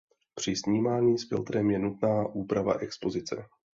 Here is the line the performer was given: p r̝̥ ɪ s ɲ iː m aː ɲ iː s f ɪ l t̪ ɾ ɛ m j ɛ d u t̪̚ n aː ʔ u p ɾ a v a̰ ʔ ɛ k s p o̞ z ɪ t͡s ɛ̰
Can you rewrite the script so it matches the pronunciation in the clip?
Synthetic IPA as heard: p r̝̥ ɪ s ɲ iː m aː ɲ iː s f ɪ l t̪ ɾ ɛ m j ɛ n u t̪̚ n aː ʔ uː p ɾ a v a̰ ʔ ɛ k s p o̞ z ɪ t͡s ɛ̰